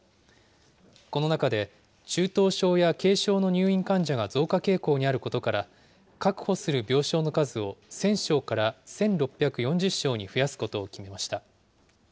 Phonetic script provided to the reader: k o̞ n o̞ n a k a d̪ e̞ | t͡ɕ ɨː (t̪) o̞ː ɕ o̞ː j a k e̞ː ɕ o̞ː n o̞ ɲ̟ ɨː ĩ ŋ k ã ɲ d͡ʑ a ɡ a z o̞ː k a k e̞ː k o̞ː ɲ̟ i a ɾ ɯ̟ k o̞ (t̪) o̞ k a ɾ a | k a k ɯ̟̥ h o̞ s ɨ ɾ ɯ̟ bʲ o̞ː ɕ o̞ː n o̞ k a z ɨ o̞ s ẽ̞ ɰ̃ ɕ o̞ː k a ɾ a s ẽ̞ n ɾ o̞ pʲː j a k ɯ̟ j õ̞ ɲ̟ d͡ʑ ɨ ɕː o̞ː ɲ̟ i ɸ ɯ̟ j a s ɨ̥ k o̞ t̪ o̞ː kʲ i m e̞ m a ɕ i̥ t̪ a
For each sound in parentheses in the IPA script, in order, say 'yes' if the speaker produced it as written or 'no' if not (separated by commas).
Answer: yes, yes